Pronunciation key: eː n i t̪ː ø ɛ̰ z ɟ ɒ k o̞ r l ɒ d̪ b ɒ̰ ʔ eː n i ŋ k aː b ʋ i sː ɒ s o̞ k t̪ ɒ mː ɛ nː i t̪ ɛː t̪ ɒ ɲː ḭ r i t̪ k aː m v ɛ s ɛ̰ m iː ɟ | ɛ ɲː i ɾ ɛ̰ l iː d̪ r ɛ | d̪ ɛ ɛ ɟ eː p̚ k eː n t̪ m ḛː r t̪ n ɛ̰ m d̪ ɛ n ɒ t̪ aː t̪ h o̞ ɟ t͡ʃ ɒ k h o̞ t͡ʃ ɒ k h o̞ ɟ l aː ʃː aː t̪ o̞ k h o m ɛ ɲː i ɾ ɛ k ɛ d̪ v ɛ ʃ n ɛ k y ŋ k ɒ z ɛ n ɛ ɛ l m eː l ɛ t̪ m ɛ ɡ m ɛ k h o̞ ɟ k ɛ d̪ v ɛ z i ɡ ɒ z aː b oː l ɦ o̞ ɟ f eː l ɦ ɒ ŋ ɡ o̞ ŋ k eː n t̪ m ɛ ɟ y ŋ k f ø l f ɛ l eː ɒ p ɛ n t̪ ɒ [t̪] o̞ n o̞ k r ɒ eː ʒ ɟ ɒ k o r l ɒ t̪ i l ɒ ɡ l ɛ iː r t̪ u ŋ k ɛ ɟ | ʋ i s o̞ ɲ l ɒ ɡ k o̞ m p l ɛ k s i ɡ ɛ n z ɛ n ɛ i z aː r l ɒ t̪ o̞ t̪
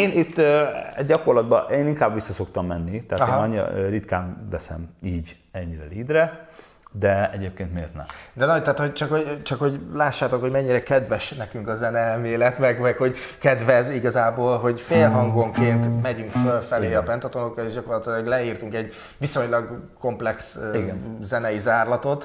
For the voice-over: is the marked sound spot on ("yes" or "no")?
yes